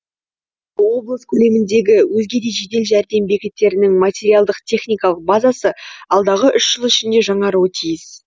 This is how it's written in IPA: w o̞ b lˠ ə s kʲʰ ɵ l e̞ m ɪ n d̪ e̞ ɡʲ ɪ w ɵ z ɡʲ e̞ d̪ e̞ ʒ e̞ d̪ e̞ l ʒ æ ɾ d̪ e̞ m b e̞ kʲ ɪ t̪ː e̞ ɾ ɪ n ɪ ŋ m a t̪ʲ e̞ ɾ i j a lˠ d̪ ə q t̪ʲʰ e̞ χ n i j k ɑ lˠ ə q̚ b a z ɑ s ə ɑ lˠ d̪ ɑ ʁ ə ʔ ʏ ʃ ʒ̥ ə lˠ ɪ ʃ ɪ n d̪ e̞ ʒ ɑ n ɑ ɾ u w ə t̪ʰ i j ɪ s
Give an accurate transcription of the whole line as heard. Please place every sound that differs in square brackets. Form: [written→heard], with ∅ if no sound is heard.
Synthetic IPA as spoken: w o̞ b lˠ ə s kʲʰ ɵ l e̞ m ɪ n d̪ e̞ ɡʲ ɪ w ɵ z ɡʲ e̞ d̪ e̞ ʒ e̞ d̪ e̞ l ʒ æ ɾ d̪ e̞ m b e̞ kʲ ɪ t̪ː e̞ ɾ ɪ n ɪ ŋ m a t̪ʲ e̞ ɾ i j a lˠ d̪ ə q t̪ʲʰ e̞ χ n i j k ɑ lˠ ə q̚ b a z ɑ s ə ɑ lˠ d̪ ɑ ʁ ə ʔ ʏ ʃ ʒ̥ ə lˠ ɪ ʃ ɪ n d̪ e̞ ʒ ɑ [n→ɴ] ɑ ɾ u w ə t̪ʰ i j ɪ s

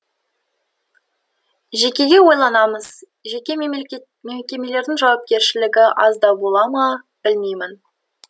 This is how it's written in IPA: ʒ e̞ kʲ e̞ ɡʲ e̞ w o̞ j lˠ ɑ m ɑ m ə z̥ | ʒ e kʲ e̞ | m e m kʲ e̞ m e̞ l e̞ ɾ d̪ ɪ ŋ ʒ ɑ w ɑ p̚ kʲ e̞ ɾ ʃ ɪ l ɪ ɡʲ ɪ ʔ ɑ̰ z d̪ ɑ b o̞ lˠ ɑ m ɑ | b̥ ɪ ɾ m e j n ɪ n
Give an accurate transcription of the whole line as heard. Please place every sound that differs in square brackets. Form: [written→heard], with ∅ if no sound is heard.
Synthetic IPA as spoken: ʒ e̞ kʲ e̞ ɡʲ e̞ w o̞ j lˠ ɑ [m→n] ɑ m ə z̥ | ʒ e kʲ e̞ | m e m kʲ e̞ m e̞ l e̞ ɾ d̪ ɪ ŋ ʒ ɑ w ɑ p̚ kʲ e̞ ɾ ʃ ɪ l ɪ ɡʲ ɪ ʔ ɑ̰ z d̪ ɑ b o̞ lˠ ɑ m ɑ | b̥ ɪ [ɾ→l] m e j [n→m] ɪ n

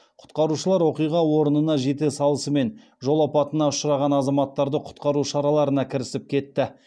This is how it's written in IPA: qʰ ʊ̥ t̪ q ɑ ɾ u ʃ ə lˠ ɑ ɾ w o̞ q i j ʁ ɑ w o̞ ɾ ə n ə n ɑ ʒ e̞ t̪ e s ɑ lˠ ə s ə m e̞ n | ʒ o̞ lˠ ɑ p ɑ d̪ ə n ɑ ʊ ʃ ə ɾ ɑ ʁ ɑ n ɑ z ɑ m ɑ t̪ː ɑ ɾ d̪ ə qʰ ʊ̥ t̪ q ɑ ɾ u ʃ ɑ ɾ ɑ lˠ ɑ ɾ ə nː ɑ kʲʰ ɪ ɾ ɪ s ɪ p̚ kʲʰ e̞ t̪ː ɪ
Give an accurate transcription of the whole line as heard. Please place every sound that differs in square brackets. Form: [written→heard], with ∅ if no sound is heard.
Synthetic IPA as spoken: qʰ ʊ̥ t̪ q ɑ ɾ u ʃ ə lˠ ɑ ɾ w o̞ q i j ʁ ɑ w o̞ ɾ ə n ə n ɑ ʒ e̞ t̪ e s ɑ lˠ ə s ə m e̞ n | ʒ o̞ lˠ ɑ p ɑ [d̪→t̪] ə n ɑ ʊ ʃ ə ɾ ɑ ʁ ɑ n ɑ z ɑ m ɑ t̪ː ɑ ɾ d̪ ə qʰ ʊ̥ t̪ q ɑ ɾ u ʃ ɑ ɾ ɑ lˠ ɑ ɾ ə [nː→n] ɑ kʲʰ ɪ ɾ ɪ s ɪ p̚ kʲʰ e̞ t̪ː ɪ

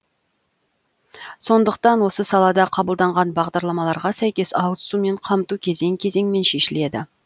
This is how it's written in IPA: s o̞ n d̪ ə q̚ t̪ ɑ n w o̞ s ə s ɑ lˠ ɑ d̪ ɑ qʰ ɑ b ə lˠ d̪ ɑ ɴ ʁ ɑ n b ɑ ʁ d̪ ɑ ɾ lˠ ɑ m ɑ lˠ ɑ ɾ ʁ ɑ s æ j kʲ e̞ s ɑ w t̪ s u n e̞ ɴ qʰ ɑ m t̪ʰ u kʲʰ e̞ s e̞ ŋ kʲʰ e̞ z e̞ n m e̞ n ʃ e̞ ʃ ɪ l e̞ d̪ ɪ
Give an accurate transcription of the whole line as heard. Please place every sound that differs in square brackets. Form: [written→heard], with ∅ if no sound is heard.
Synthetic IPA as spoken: s o̞ n d̪ ə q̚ t̪ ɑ n w o̞ s ə s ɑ lˠ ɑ d̪ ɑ qʰ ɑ b ə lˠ d̪ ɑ ɴ ʁ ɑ n b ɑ ʁ d̪ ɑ ɾ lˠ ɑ m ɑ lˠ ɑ ɾ ʁ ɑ s æ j kʲ e̞ s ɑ w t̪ s u [n→m] e̞ ɴ qʰ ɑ m [t̪ʰ→t̪] u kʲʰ e̞ [s→z] e̞ ŋ kʲʰ e̞ z e̞ [n→ŋ] m e̞ n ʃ e̞ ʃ ɪ l e̞ d̪ ɪ

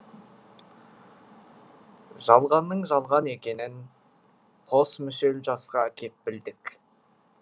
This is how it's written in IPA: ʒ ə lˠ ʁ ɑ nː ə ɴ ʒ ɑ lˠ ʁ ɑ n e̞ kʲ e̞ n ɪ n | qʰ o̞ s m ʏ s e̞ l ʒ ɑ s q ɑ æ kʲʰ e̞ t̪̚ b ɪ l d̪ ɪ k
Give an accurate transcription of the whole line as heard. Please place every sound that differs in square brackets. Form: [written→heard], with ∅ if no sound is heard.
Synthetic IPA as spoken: ʒ [ə→ɑ] lˠ ʁ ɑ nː ə ɴ ʒ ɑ lˠ ʁ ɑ n e̞ kʲ e̞ n ɪ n | qʰ o̞ s m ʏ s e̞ l ʒ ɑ s q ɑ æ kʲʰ e̞ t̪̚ b ɪ l d̪ ɪ k

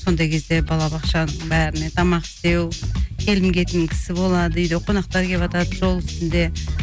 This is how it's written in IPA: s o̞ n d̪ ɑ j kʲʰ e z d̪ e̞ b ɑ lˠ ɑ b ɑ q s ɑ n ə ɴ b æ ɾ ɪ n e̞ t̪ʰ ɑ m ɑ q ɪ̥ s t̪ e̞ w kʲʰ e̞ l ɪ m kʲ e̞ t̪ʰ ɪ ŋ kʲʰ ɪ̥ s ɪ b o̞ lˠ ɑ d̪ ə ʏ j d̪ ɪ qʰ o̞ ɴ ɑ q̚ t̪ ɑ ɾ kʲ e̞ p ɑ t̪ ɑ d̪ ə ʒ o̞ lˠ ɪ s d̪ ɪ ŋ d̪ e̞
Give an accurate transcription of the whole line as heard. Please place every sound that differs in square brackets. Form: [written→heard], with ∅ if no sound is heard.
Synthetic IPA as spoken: s o̞ n d̪ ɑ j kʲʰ e z d̪ e̞ b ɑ lˠ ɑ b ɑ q [s→ʃ] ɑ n ə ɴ b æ ɾ ɪ n e̞ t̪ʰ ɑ m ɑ q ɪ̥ s t̪ e̞ w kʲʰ e̞ l ɪ m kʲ e̞ [t̪ʰ→t̪] ɪ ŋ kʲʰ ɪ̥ s ɪ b o̞ lˠ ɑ d̪ ə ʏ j d̪ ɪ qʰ o̞ [ɴ→n] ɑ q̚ t̪ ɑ ɾ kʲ e̞ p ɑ t̪ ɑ d̪ ə ʒ o̞ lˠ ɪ s [d̪→t̪] ɪ [ŋ→n] d̪ e̞

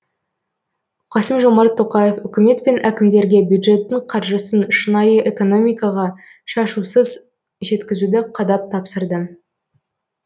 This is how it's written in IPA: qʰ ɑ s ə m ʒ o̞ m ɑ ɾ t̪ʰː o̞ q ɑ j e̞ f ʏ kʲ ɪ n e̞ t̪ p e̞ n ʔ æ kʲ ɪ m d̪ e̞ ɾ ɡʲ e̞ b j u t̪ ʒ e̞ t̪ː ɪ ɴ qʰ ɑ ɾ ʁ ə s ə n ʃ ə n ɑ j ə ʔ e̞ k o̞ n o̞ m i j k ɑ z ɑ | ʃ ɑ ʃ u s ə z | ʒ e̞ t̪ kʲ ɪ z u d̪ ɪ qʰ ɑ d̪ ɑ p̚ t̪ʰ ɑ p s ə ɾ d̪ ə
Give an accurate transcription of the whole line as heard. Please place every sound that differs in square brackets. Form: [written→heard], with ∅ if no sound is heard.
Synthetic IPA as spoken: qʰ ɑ s ə m ʒ o̞ m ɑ ɾ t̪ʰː o̞ q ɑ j e̞ f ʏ kʲ ɪ [n→m] e̞ t̪ p e̞ n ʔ æ kʲ ɪ m d̪ e̞ ɾ ɡʲ e̞ b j u [t̪→d̪] ʒ e̞ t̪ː ɪ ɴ qʰ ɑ ɾ [ʁ→ʒ] ə s ə n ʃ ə n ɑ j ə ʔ e̞ k o̞ n o̞ m i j k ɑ [z→ʁ] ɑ | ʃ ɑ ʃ u s ə z | ʒ e̞ t̪ kʲ ɪ z u d̪ ɪ qʰ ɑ d̪ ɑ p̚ t̪ʰ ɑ p s ə ɾ d̪ ə

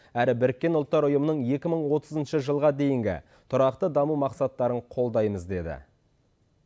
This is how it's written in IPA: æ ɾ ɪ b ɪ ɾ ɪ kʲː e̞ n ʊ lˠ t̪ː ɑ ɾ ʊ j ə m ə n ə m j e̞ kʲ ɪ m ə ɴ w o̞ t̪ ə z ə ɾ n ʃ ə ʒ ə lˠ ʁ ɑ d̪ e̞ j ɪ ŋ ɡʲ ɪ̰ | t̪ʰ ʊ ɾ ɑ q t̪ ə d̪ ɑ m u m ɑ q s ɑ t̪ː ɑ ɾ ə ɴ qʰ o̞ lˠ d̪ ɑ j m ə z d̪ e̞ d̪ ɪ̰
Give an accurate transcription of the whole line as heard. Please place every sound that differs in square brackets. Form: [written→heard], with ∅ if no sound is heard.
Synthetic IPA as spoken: æ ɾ ɪ b ɪ ɾ ɪ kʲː e̞ n ʊ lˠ t̪ː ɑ ɾ ʊ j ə m ə n ə [m→ɴ] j e̞ kʲ ɪ m ə ɴ w o̞ t̪ ə z ə [ɾ→∅] n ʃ ə ʒ ə lˠ ʁ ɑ d̪ e̞ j ɪ ŋ ɡʲ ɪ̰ | t̪ʰ ʊ ɾ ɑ q t̪ ə d̪ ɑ m u m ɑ q s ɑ t̪ː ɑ ɾ ə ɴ qʰ o̞ lˠ d̪ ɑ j m ə z d̪ e̞ d̪ ɪ̰

